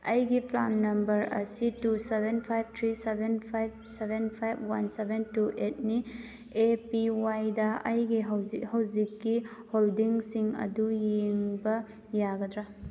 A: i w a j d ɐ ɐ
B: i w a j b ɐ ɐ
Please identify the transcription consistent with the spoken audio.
A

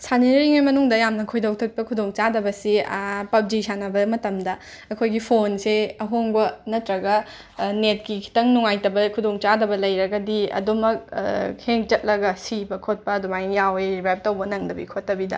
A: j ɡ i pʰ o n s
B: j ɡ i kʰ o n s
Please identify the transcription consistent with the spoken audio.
A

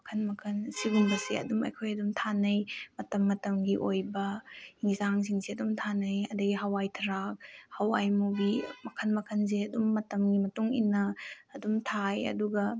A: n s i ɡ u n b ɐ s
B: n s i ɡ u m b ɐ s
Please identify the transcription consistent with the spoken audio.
A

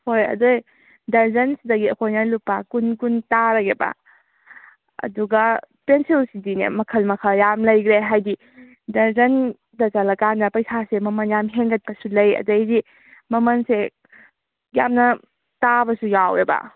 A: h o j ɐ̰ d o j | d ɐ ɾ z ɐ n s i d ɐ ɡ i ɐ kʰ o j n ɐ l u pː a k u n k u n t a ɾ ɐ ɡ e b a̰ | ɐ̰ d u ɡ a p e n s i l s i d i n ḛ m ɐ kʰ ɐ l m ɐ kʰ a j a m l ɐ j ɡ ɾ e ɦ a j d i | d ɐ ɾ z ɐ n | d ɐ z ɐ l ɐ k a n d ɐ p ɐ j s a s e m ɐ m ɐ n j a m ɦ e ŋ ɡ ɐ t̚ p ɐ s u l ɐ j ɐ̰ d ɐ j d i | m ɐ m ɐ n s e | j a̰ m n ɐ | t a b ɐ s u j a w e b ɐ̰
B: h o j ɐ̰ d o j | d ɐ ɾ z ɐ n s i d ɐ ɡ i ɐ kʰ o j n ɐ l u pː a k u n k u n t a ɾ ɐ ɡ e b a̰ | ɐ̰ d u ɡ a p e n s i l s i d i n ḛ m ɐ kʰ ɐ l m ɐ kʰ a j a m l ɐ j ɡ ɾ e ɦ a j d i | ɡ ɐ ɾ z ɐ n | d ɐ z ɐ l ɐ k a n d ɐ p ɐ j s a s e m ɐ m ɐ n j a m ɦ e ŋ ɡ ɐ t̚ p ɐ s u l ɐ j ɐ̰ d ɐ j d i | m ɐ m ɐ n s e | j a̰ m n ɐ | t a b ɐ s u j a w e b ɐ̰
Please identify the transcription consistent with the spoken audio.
A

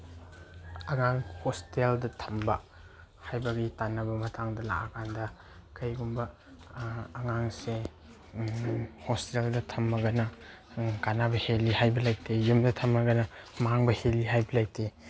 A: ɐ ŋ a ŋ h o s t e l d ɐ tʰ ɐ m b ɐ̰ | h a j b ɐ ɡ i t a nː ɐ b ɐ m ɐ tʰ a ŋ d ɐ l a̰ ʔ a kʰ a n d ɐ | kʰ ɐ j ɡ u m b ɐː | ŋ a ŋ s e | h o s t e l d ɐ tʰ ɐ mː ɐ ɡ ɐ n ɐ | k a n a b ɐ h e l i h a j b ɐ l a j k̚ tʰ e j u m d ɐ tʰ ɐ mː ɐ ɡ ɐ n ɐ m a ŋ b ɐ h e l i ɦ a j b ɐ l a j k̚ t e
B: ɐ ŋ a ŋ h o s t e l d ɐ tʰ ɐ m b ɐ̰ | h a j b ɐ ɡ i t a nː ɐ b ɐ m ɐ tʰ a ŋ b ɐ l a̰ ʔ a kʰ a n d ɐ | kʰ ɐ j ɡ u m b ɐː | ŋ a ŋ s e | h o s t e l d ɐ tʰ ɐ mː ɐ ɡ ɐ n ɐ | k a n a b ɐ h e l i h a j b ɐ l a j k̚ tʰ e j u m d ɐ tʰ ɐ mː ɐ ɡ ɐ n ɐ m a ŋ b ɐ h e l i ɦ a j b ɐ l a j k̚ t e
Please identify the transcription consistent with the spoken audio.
A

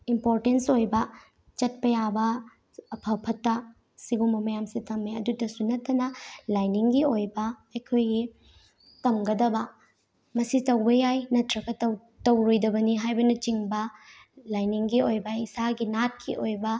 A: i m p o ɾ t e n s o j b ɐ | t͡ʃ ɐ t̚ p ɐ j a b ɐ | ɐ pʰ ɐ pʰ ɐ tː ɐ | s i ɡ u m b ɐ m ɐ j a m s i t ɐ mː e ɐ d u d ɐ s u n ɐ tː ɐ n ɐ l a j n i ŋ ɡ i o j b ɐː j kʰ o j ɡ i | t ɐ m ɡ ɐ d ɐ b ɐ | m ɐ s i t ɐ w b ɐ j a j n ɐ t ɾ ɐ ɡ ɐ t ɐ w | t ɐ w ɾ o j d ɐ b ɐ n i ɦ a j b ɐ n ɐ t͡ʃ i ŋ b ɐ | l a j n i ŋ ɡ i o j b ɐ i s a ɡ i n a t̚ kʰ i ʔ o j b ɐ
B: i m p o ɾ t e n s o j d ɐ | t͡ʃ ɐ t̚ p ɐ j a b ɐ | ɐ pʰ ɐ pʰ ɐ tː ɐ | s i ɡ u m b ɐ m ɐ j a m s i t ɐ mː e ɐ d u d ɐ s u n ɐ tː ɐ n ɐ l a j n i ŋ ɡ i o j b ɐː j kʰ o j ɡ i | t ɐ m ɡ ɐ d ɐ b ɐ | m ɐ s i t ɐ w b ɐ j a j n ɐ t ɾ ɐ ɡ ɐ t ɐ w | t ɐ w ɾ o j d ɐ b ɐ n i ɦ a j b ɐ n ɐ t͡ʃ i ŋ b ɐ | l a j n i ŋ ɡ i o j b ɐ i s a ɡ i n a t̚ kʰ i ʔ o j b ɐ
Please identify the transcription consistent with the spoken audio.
A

